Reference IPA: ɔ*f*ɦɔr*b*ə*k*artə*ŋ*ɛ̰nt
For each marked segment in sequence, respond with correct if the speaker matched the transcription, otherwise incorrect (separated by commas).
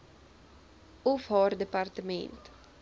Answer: correct, incorrect, incorrect, incorrect